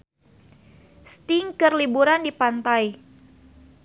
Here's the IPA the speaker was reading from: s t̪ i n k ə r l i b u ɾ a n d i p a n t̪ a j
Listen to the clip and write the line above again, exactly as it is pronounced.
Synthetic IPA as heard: s t̪ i ŋ k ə r l i b u ɾ a n d i p a n t̪ a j